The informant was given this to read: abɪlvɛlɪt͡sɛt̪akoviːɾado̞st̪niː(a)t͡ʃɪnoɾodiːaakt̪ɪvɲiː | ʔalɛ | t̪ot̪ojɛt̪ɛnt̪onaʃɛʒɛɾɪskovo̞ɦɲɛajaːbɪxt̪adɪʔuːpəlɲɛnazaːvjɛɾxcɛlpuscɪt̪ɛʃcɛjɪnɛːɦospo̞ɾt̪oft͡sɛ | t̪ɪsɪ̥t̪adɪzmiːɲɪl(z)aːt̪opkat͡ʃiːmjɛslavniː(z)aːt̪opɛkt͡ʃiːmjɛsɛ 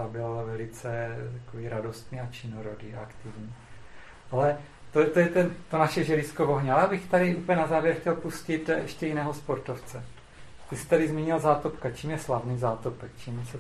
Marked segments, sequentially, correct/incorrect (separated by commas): correct, correct, correct